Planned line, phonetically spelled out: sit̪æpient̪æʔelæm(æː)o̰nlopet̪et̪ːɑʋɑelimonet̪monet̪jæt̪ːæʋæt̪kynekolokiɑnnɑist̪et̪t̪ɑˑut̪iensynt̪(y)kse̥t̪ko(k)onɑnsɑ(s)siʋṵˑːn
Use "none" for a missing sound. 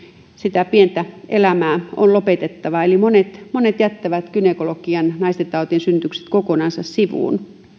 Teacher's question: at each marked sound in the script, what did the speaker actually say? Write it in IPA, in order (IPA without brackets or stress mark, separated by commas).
æː, y, k, s